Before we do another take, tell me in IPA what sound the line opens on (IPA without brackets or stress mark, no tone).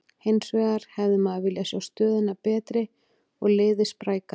h